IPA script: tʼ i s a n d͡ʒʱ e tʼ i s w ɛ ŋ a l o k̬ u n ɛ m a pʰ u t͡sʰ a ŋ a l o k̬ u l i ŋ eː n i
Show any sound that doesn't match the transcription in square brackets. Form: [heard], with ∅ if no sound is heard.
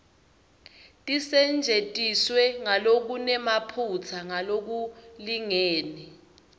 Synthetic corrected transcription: tʼ i s [ɛ] n d͡ʒʱ e tʼ i s w ɛ ŋ a l o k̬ u n ɛ m a pʰ u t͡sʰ a ŋ a l o k̬ u l i ŋ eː n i